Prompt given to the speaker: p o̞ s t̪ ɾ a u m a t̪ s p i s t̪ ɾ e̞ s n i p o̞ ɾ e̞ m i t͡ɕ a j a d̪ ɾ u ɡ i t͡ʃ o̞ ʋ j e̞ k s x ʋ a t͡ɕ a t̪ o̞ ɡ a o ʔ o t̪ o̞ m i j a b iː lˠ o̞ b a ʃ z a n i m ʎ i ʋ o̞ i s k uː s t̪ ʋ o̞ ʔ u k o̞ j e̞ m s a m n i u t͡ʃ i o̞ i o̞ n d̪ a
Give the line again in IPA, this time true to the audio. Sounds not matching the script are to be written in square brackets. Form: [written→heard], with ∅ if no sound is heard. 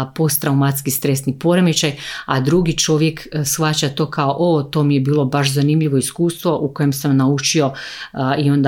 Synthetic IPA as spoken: p o̞ s t̪ ɾ a u m a t̪ s [p→k] i s t̪ ɾ e̞ s n i p o̞ ɾ e̞ m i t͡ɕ a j a d̪ ɾ u ɡ i t͡ʃ o̞ ʋ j e̞ k s x ʋ a t͡ɕ a t̪ o̞ [ɡ→k] a o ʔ o t̪ o̞ m i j [a→e] b iː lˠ o̞ b a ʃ z a n i m ʎ i ʋ o̞ i s k uː s t̪ ʋ o̞ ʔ u k o̞ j e̞ m s a m n [i→a] u t͡ʃ i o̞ i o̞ n d̪ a